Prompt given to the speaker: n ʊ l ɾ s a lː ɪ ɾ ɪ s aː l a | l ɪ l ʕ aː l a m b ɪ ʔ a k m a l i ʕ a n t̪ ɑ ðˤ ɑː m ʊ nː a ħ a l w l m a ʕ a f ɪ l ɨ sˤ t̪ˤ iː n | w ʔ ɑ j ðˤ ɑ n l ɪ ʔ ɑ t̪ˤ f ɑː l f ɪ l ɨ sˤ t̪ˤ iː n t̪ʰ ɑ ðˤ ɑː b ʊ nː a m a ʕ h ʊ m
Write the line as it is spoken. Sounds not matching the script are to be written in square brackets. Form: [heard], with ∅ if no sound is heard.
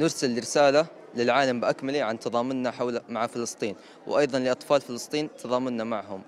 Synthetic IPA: n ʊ [∅] ɾ s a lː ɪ ɾ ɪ s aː l a | l ɪ l ʕ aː l a m b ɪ ʔ a k m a l i ʕ a n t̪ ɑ ðˤ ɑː m ʊ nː a ħ a [∅] w l m a ʕ a f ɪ l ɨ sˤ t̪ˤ iː n | w ʔ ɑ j ðˤ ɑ n l ɪ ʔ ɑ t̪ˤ f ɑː l f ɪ l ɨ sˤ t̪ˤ iː n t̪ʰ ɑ ðˤ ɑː [m] ʊ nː a m a ʕ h ʊ m